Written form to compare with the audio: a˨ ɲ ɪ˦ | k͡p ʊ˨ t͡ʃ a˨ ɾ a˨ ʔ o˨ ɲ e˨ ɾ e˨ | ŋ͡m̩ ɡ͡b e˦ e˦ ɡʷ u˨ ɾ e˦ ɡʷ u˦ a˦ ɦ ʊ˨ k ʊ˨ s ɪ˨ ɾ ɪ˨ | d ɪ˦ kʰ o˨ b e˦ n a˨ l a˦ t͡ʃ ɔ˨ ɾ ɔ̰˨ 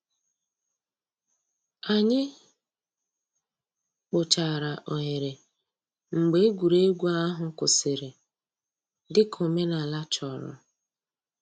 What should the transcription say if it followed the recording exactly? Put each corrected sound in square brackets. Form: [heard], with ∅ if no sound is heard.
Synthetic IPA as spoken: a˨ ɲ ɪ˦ | k͡p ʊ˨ t͡ʃ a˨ ɾ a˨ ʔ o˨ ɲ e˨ ɾ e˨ | ŋ͡m̩ ɡ͡b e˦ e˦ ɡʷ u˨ ɾ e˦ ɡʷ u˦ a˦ ɦ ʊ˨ k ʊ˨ s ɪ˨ ɾ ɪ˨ | d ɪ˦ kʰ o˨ [m] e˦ n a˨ l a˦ t͡ʃ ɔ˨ ɾ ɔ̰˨